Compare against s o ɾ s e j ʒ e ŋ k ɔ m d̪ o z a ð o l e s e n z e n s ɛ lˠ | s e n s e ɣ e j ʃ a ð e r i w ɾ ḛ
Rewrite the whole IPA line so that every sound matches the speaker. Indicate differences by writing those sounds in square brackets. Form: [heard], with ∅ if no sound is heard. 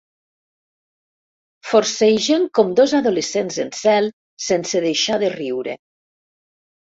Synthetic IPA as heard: [f] o ɾ s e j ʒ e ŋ k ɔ m d̪ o z a ð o l e s e n z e n s ɛ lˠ | s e n s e [ð] e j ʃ a ð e r i w ɾ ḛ

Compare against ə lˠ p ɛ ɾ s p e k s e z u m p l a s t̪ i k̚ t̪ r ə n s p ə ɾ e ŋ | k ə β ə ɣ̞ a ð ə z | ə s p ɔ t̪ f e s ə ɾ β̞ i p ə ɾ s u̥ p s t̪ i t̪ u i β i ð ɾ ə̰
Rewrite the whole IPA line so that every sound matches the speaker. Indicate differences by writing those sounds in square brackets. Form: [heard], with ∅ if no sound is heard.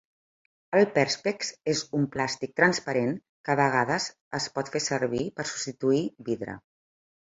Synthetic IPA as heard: ə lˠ p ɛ ɾ s p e k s e z u m p l a s t̪ i k̚ t̪ [ɾ] ə n s p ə ɾ e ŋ | k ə β ə ɣ̞ a ð ə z | ə s p ɔ t̪ f e s ə ɾ β̞ i p ə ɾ s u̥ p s t̪ i t̪ u i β i ð ɾ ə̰

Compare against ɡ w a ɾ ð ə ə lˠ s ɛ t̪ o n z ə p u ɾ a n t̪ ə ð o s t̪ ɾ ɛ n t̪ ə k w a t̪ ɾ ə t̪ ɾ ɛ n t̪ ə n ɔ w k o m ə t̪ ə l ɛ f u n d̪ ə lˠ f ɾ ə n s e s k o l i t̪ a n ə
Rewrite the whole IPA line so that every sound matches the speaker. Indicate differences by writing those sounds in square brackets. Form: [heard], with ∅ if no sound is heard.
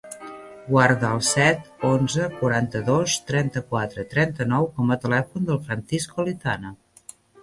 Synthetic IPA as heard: ɡ w a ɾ ð ə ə lˠ s ɛ t̪ o n z ə [k] u ɾ a n t̪ ə ð o s t̪ ɾ ɛ n t̪ ə k w a t̪ ɾ ə t̪ ɾ ɛ n t̪ ə n ɔ w k [ɔ] m ə t̪ ə l ɛ f u n d̪ ə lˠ f ɾ ə n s [i] s k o l i t̪ a n ə

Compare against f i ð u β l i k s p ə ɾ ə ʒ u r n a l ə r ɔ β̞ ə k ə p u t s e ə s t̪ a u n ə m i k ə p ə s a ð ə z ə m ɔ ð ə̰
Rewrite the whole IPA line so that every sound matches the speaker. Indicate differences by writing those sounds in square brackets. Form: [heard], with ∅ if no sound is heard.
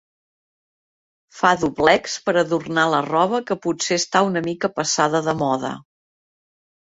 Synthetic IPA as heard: f [a] ð u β l [ɛ] k s p ə ɾ ə [ð] u r n a l ə r ɔ β̞ ə k ə p u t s e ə s t̪ a u n ə m i k ə p ə s a ð ə [ð] ə m ɔ ð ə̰

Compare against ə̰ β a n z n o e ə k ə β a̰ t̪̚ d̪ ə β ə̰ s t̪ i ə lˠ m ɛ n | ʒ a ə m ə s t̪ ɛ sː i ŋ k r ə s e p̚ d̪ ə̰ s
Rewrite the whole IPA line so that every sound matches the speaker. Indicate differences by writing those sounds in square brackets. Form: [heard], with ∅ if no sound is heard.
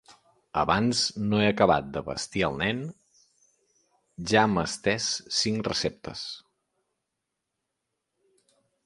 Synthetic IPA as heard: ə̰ β a n z n o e ə k ə β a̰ t̪̚ d̪ ə β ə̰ s t̪ i ə lˠ [n] ɛ n | ʒ a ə m ə s t̪ ɛ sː i ŋ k r ə s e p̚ [t̪] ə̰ s

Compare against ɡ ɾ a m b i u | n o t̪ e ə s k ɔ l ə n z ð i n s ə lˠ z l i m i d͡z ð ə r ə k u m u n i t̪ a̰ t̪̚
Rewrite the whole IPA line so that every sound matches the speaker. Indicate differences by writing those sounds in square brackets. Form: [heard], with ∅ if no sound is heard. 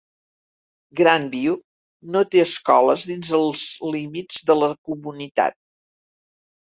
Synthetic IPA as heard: ɡ ɾ a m b i u | n o t̪ e ə s k ɔ l ə [∅] z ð i n [z] ə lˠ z l i m i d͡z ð ə [l] ə k u m u n i t̪ a̰ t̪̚

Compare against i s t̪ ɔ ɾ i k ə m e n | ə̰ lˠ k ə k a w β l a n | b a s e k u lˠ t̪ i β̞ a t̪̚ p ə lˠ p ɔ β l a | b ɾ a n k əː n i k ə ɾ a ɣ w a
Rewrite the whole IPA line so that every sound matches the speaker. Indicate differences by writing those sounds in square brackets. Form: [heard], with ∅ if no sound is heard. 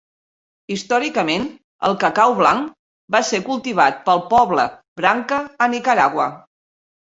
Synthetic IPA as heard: i s t̪ ɔ ɾ i k ə m e n | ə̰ lˠ k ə k a w β l a [ŋ] | b a s e k u lˠ t̪ i β̞ a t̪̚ p ə lˠ p ɔ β l [ə] | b ɾ a [ŋ] k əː n i k ə ɾ a ɣ w [ə]

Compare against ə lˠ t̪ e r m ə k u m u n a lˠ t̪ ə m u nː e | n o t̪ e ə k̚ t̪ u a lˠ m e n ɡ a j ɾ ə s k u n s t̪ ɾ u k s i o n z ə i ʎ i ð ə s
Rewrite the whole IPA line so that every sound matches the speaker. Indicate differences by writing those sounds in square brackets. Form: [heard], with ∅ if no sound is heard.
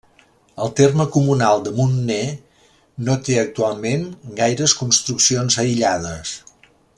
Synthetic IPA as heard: ə lˠ t̪ e r m ə k u m u n a lˠ [d̪] ə m u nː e | n o t̪ e ə k̚ t̪ u a lˠ m e n ɡ a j ɾ ə s k u n s t̪ ɾ u k s i o n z ə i ʎ [a] ð ə s

